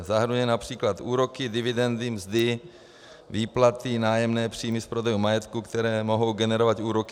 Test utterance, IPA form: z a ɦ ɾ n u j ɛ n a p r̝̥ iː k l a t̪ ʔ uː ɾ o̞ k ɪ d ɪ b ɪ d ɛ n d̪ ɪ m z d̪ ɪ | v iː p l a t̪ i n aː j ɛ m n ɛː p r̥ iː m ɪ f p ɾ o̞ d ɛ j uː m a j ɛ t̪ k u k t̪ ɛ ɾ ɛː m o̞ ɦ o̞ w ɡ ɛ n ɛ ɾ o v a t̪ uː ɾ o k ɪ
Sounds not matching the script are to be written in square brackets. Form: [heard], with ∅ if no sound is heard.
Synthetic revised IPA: z a ɦ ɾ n u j ɛ n a p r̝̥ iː k l a t̪ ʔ uː ɾ o̞ k ɪ d ɪ [v] ɪ d ɛ n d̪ ɪ m z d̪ ɪ | v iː p l a t̪ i n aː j ɛ m n ɛː p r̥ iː m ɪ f p ɾ o̞ d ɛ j [u] m a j ɛ t̪ k u k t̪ ɛ ɾ ɛː m o̞ ɦ o̞ w ɡ ɛ n ɛ ɾ o v a t̪ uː ɾ o k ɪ

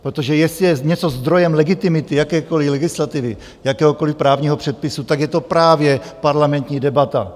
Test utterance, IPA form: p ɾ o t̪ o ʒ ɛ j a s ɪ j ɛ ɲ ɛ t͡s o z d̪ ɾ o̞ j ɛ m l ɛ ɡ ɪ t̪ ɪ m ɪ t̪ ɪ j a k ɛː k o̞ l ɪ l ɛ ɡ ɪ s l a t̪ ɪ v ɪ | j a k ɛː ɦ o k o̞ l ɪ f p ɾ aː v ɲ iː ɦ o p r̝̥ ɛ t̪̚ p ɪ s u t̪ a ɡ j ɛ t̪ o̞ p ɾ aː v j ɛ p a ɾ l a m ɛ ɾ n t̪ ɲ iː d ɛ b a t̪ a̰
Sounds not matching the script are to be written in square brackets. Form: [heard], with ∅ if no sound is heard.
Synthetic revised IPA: p ɾ o t̪ o ʒ ɛ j [ɛ] s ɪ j ɛ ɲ ɛ t͡s o z d̪ ɾ o̞ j ɛ m l ɛ ɡ ɪ t̪ ɪ m ɪ t̪ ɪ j a k ɛː k o̞ l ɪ l ɛ ɡ ɪ s l a t̪ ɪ v ɪ | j a k ɛː ɦ o k o̞ l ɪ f p ɾ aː v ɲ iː ɦ o p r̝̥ ɛ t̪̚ p ɪ s u t̪ a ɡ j ɛ t̪ o̞ p ɾ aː v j ɛ p a ɾ l a m ɛ [∅] n t̪ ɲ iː d ɛ b a t̪ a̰

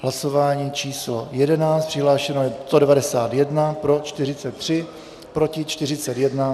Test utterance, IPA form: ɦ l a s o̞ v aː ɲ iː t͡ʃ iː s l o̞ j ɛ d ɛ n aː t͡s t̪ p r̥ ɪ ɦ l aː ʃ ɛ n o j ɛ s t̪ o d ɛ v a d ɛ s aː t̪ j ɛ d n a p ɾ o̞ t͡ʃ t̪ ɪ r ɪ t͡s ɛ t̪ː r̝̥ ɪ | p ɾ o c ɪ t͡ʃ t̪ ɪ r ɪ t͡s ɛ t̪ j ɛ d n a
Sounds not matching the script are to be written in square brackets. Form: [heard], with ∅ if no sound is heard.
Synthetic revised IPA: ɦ l a s o̞ v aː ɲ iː t͡ʃ iː s l o̞ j ɛ d ɛ n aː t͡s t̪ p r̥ ɪ ɦ l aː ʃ ɛ n o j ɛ s t̪ o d ɛ v a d ɛ s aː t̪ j ɛ d n a p ɾ o̞ t͡ʃ t̪ ɪ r ɪ t͡s ɛ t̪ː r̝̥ ɪ | p ɾ o c ɪ t͡ʃ t̪ ɪ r ɪ t͡s ɛ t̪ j ɛ d n a

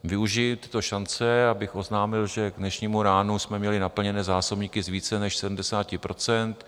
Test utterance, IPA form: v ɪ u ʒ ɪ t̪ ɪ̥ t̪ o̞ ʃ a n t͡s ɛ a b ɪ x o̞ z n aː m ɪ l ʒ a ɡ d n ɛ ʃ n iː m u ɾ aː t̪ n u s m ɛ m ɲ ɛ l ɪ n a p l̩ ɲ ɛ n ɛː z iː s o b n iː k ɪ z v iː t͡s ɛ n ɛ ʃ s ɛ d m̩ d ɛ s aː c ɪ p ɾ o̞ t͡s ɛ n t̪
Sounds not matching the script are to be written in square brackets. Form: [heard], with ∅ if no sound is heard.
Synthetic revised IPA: v ɪ u ʒ ɪ t̪ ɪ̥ t̪ o̞ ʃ a n t͡s ɛ a b ɪ x o̞ z n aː m ɪ l ʒ [ɛ] ɡ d n ɛ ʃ [ɲ] iː m u ɾ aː [∅] n u s m ɛ m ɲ ɛ l ɪ n a p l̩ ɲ ɛ n ɛː z [aː] s o b [ɲ] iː k ɪ z v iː t͡s ɛ n ɛ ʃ s ɛ d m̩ d ɛ s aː c ɪ p ɾ o̞ t͡s ɛ n t̪

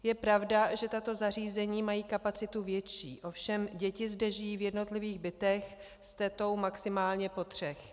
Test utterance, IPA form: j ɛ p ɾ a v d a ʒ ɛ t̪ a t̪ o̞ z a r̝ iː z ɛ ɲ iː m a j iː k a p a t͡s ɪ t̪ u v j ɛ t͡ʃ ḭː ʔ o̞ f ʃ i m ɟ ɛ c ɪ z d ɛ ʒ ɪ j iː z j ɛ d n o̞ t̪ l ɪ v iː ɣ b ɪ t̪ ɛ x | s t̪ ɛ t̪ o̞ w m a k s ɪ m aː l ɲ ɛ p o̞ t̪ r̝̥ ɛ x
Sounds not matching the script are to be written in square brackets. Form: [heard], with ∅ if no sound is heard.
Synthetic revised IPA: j ɛ p ɾ a v d a ʒ ɛ t̪ a t̪ o̞ z a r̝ iː z ɛ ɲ iː m a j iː k a p a t͡s ɪ t̪ u v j ɛ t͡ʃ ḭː ʔ o̞ f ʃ [ɛ] m ɟ ɛ c ɪ z d ɛ ʒ ɪ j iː [v] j ɛ d n o̞ t̪ l ɪ v iː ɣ b ɪ t̪ ɛ x | s t̪ ɛ t̪ o̞ w m a k s ɪ m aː l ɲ ɛ p o̞ t̪ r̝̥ ɛ x

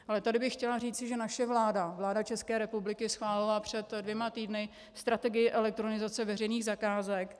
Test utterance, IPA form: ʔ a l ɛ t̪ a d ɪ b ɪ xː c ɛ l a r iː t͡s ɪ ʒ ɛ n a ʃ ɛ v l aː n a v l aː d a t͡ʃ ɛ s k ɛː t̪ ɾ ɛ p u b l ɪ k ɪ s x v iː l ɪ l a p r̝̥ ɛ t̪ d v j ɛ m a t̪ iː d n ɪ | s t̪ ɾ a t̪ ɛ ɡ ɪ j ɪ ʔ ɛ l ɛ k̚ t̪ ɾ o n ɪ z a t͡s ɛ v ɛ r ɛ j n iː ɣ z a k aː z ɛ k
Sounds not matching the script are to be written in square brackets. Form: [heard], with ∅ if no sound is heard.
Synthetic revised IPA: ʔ a l ɛ t̪ a d ɪ b ɪ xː c ɛ l a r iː t͡s ɪ ʒ ɛ n a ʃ ɛ v l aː [d] a v l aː d a t͡ʃ ɛ s k ɛː [∅] ɾ ɛ p u b l ɪ k ɪ s x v [aː] l ɪ l a p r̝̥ ɛ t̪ d v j ɛ m a t̪ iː d n ɪ | s t̪ ɾ a t̪ ɛ ɡ ɪ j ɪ ʔ ɛ l ɛ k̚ t̪ ɾ o n ɪ z a t͡s ɛ v ɛ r ɛ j n iː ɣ z a k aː z ɛ k

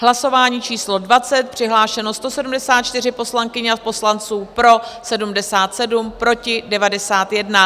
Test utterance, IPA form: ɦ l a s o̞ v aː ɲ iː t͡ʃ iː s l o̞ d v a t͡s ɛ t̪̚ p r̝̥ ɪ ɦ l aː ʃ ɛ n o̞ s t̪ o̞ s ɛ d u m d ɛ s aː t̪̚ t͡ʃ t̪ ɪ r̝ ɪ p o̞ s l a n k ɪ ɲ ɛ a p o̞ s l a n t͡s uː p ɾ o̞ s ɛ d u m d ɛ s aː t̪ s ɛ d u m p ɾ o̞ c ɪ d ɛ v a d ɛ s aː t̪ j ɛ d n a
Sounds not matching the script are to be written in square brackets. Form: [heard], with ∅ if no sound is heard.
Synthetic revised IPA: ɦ l a s o̞ v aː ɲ iː t͡ʃ iː s l o̞ d v a t͡s ɛ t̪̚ p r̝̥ ɪ ɦ l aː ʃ ɛ n o̞ s t̪ o̞ s ɛ d u m d ɛ s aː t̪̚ t͡ʃ t̪ ɪ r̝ ɪ p o̞ s l a [ŋ] k ɪ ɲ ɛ a p o̞ s l a n t͡s uː p ɾ o̞ s ɛ d u m d ɛ s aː t̪ s ɛ d u m p ɾ o̞ c ɪ d ɛ v a d ɛ s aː t̪ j ɛ d n a

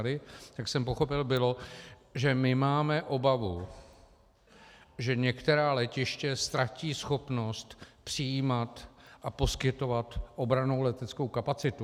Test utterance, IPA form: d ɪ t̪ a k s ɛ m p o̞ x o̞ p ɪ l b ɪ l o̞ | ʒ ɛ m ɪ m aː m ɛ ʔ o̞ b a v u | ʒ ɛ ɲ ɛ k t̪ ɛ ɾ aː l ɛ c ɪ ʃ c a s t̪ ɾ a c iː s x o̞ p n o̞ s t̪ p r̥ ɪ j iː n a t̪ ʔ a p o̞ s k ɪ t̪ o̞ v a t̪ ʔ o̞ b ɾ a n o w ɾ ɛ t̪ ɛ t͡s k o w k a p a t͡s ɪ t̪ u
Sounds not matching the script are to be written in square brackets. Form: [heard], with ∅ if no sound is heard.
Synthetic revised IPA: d ɪ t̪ a k s ɛ m p o̞ x o̞ p ɪ l b ɪ l o̞ | ʒ ɛ m ɪ m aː m ɛ ʔ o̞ b a v u | ʒ ɛ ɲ ɛ k t̪ ɛ ɾ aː l ɛ c ɪ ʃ c [ɛ] s t̪ ɾ a c iː s x o̞ p n o̞ s t̪ p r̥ ɪ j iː [m] a t̪ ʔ a p o̞ s k ɪ t̪ o̞ v a t̪ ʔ o̞ b ɾ a n o w [l] ɛ t̪ ɛ t͡s k o w k a p a t͡s ɪ t̪ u

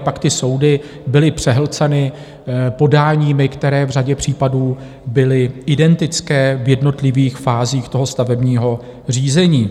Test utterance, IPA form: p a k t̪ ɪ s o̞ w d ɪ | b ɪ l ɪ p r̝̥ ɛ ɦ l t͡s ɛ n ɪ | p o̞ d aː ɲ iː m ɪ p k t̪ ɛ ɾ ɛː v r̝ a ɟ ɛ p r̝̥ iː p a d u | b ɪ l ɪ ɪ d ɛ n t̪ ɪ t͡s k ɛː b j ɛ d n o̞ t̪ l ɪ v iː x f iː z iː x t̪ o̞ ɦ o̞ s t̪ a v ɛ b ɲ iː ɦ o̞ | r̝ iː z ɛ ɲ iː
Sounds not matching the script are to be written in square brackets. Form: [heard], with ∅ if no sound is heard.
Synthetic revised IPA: p a k t̪ ɪ s o̞ w d ɪ | b ɪ l ɪ p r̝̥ ɛ ɦ l t͡s ɛ n ɪ | p o̞ d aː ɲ iː m ɪ [∅] k t̪ ɛ ɾ ɛː v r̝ a ɟ ɛ p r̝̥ iː p a d [uː] | b ɪ l ɪ ɪ d ɛ n t̪ ɪ t͡s k ɛː [v] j ɛ d n o̞ t̪ l ɪ v iː x f [aː] z iː x t̪ o̞ ɦ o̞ s t̪ a v ɛ b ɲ iː ɦ o̞ | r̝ iː z ɛ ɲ iː

